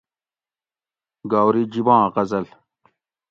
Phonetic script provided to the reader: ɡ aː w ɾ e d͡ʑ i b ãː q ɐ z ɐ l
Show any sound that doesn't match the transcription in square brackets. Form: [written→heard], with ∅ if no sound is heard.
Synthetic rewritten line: ɡ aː w ɾ [e→i] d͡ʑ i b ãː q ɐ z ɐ l